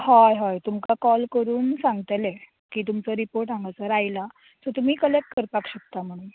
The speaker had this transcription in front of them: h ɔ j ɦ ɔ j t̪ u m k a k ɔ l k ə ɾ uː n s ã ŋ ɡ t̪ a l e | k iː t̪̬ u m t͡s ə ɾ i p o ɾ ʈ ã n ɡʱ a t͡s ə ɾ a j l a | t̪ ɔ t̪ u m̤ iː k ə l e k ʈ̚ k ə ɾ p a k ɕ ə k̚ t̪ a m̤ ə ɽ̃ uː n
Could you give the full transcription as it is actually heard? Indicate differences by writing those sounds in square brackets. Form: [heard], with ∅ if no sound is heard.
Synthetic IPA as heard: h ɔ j ɦ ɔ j t̪ u m k a k ɔ l k ə ɾ uː n s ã ŋ ɡ t̪ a l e | k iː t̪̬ u m t͡s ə ɾ i p o ɾ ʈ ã [ŋ] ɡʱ a t͡s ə ɾ a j l a | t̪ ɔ t̪ u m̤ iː k ə l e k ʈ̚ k ə ɾ p a k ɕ ə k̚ t̪ a m̤ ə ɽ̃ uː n

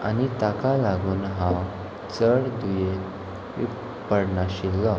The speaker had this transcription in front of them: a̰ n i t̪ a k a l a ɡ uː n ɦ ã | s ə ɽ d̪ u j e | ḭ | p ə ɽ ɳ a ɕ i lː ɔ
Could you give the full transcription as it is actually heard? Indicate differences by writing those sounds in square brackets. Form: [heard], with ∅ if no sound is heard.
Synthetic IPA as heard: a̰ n i t̪ a k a l a ɡ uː n ɦ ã | [t͡s] ə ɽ d̪ u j e | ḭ | p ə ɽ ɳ a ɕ i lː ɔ

